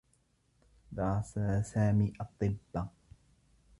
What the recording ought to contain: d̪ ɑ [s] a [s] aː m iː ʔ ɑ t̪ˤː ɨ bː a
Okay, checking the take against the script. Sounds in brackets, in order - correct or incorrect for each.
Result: correct, correct

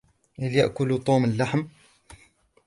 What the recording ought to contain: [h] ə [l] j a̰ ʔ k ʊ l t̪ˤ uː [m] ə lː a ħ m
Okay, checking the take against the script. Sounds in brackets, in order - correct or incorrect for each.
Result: correct, correct, correct

